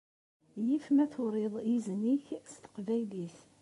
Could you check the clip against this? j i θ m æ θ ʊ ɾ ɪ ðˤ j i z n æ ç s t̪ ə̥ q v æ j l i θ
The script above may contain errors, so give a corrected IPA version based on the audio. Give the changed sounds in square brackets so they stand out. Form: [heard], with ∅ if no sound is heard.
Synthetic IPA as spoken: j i [f] m æ θ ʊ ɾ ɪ ðˤ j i z n [i] ç s t̪ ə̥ q v æ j l i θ